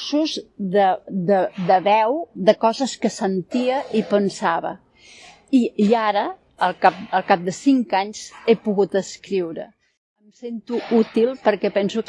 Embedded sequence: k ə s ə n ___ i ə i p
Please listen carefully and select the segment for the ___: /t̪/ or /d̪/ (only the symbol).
t̪